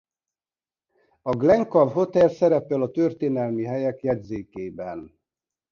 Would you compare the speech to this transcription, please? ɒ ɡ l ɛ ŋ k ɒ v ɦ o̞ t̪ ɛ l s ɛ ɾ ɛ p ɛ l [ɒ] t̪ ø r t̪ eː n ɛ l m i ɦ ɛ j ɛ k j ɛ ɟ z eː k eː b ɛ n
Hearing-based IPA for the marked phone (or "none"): ɒ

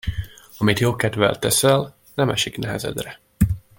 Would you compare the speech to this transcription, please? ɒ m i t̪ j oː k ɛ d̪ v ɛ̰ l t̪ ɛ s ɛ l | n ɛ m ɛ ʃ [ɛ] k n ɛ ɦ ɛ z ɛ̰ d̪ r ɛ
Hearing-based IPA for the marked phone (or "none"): i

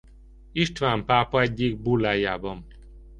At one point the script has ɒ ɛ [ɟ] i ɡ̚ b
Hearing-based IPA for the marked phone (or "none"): ɟː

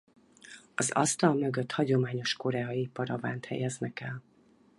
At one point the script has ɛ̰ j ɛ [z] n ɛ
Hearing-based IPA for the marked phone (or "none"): z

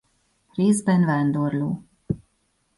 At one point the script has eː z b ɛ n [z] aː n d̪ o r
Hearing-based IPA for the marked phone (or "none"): v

